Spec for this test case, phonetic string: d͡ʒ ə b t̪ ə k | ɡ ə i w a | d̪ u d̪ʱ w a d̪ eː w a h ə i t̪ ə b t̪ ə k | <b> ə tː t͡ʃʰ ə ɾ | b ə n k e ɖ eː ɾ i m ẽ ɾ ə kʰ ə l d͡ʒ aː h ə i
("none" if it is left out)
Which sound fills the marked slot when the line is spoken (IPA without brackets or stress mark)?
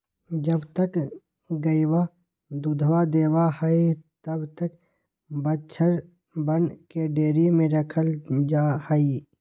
b